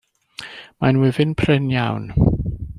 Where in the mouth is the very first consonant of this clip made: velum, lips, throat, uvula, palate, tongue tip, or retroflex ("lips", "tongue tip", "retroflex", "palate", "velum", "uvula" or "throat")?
lips